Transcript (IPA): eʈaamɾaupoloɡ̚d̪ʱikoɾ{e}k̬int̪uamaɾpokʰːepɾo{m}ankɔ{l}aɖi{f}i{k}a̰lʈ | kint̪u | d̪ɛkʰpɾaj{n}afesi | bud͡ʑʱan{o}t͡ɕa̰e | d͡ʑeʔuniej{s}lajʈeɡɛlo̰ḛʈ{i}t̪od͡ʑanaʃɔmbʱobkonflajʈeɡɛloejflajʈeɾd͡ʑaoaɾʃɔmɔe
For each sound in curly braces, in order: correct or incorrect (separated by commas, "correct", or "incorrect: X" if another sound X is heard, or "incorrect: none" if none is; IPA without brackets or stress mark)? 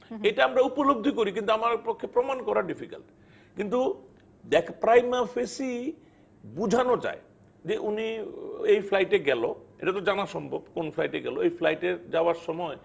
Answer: incorrect: i, correct, incorrect: ɾ, correct, correct, incorrect: m, correct, incorrect: f, incorrect: a